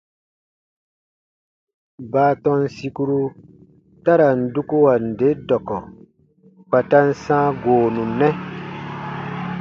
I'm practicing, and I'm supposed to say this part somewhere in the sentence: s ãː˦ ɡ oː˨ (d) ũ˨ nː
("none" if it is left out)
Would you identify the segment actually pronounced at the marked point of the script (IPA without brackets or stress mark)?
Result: n